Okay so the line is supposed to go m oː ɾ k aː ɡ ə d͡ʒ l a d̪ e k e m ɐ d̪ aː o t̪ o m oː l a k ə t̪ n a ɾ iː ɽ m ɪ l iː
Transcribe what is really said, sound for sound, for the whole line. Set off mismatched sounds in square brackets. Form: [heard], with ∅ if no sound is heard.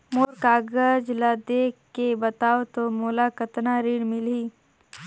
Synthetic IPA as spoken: m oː ɾ k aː ɡ ə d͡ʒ l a d̪ e k e [b] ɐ [t̪] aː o t̪ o m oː l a k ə t̪ n a ɾ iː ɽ m ɪ l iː

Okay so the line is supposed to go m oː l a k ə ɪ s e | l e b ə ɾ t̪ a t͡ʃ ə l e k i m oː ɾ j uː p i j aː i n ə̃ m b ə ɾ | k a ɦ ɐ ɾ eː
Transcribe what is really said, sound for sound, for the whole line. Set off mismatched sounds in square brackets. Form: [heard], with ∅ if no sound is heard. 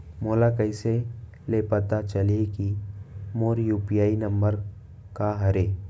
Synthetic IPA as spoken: m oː l a k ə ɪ s e | l e [p] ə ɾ t̪ a t͡ʃ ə l e k i m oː ɾ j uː p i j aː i n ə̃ m b ə ɾ | k a ɦ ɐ ɾ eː

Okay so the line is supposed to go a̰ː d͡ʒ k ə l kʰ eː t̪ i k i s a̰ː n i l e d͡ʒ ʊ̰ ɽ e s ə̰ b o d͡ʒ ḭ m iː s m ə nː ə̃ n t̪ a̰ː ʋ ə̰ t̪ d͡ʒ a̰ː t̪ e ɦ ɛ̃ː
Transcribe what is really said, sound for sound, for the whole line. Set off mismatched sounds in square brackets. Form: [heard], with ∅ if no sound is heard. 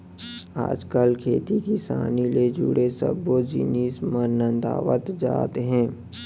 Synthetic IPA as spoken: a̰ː d͡ʒ k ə l kʰ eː t̪ i k i s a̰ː n i l e d͡ʒ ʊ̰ ɽ e s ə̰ b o d͡ʒ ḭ [n] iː s m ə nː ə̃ n [d̪] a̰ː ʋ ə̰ t̪ d͡ʒ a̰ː t̪ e ɦ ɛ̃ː

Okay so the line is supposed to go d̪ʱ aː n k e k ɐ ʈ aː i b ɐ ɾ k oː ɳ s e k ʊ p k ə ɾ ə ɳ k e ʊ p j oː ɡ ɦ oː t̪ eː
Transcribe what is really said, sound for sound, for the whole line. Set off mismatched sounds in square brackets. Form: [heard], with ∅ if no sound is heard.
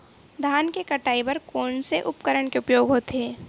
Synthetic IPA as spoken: d̪ʱ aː n k e k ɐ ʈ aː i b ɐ ɾ k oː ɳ s e [ʔ] ʊ p k ə ɾ ə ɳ k e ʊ p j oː ɡ ɦ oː t̪ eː

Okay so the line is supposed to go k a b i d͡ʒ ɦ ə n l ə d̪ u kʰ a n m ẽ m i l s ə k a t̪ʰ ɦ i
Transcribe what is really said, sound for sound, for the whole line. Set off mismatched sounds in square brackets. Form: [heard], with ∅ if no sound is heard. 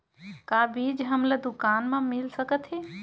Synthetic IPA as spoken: k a b i d͡ʒ ɦ ə [m] l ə d̪ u [k] a n m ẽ m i l s ə k [ə] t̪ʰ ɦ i

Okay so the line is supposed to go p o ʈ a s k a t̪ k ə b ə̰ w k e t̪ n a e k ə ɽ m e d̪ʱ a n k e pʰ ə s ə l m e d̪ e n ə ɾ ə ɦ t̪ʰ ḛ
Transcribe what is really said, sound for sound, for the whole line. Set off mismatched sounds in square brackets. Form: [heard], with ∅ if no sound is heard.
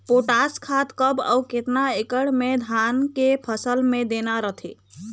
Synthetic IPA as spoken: p o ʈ a s [kʰ] a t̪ k ə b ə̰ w k e t̪ n a e k ə ɽ m e d̪ʱ a n k e pʰ ə s ə l m e d̪ e n [a] ɾ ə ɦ t̪ʰ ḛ

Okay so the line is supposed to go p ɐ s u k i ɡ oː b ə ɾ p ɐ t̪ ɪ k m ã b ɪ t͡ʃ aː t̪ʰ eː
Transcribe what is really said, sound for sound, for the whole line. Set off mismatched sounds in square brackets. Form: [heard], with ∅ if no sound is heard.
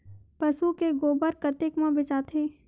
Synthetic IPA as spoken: p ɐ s u k [e] ɡ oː b ə ɾ [k] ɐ t̪ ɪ k m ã b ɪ t͡ʃ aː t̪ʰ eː

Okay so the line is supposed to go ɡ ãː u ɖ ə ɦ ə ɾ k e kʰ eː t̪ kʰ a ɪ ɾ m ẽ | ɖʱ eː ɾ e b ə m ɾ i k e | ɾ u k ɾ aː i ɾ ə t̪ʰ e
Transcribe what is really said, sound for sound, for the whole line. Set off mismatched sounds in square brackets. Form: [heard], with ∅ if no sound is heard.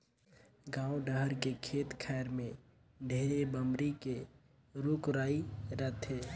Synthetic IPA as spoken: ɡ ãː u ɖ ə ɦ ə ɾ k e kʰ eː t̪ kʰ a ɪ ɾ m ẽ | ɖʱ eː ɾ e b ə m ɾ i k e | ɾ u k ɾ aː i ɾ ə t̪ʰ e

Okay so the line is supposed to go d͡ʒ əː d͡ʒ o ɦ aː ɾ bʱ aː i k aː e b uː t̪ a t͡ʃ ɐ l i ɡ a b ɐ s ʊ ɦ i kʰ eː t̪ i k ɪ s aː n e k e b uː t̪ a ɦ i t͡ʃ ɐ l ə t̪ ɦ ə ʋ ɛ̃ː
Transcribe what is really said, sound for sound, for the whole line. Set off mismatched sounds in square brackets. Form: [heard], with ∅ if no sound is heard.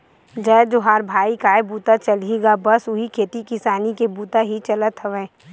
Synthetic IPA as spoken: d͡ʒ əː d͡ʒ o ɦ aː ɾ bʱ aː i k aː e b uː t̪ a t͡ʃ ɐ l i ɡ a b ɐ s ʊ ɦ i kʰ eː t̪ i k ɪ s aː n [i] k e b uː t̪ a ɦ i t͡ʃ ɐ l ə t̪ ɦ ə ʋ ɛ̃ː

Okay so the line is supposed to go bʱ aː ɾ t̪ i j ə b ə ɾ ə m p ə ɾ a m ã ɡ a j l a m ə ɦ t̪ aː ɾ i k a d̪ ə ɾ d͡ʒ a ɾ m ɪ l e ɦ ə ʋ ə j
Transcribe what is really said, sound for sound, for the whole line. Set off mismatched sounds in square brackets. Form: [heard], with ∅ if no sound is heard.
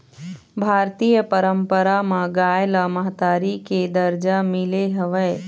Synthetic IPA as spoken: bʱ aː ɾ t̪ i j ə [p] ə ɾ ə m p ə ɾ a m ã ɡ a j l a m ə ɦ t̪ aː ɾ i k [e] d̪ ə ɾ d͡ʒ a [∅] m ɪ l e ɦ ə ʋ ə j

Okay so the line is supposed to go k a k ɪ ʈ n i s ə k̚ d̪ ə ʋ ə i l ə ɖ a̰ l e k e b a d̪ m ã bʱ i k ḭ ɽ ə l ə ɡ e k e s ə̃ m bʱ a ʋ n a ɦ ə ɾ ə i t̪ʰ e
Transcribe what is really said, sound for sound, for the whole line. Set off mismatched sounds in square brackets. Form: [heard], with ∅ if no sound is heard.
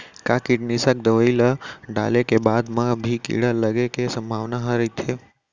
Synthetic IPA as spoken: k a k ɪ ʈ n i s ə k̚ d̪ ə ʋ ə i l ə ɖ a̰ l e k e b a d̪ m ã bʱ i k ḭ ɽ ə l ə ɡ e k e s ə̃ m bʱ a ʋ n a ɦ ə ɾ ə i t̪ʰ e

